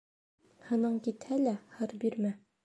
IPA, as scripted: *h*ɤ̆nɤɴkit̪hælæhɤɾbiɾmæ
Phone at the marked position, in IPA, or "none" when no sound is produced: h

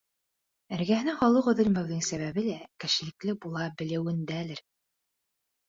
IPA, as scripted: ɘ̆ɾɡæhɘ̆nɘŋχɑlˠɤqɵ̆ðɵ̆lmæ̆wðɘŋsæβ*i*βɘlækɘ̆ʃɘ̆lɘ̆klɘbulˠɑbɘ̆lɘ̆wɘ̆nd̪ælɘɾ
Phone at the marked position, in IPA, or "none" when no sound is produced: æ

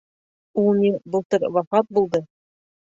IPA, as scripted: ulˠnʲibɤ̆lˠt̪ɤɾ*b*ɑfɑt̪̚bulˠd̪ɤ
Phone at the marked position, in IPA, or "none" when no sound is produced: w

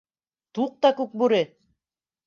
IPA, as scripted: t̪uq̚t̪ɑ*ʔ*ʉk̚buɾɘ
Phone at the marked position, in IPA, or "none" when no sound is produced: k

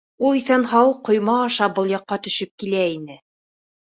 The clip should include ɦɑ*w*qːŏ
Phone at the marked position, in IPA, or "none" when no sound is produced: w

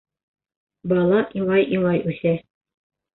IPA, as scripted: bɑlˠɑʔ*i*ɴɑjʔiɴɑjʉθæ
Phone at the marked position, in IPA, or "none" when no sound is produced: i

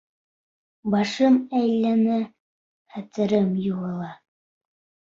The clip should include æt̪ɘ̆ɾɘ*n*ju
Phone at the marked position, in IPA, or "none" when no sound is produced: m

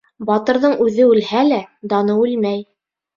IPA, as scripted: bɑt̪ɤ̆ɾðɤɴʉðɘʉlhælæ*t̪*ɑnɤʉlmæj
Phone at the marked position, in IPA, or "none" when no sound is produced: d̪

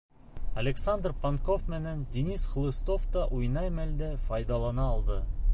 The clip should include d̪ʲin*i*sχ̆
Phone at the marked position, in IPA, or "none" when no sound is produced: i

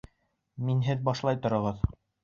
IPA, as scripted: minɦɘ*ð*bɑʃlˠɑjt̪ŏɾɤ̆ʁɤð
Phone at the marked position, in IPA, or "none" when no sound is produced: ð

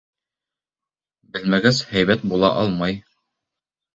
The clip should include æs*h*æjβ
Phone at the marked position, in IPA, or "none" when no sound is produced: h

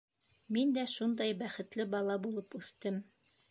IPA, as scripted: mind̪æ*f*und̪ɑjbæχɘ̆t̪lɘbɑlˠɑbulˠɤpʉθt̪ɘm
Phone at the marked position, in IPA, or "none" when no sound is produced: ʃ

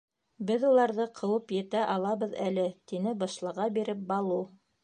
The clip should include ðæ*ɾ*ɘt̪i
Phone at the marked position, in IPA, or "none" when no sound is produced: l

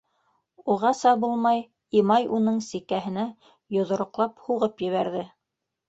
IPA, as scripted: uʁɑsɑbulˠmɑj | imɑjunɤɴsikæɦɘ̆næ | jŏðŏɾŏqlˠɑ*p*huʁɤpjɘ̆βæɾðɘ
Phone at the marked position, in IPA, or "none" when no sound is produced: p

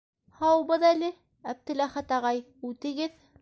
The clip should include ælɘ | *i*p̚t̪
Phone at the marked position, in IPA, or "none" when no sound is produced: æ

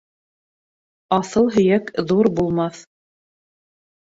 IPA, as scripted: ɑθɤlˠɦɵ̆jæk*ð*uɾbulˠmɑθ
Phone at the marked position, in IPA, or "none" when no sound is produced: ð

